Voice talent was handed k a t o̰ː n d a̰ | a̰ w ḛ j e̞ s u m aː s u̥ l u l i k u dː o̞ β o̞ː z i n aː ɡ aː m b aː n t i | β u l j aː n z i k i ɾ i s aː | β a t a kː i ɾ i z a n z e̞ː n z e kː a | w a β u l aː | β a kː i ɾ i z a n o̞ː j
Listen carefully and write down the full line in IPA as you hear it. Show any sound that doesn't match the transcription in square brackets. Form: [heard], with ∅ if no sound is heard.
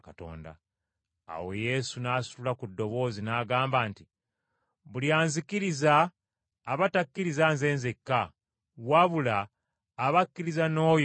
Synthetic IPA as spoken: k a t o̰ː n d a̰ | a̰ w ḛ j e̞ s u [n] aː s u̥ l u l [a] k u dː o̞ β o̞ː z i n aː ɡ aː m b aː n t i | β u l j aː n z i k i ɾ i [z] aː | β a t a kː i ɾ i z a n z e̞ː n z e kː a | w a β u l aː | β a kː i ɾ i z a n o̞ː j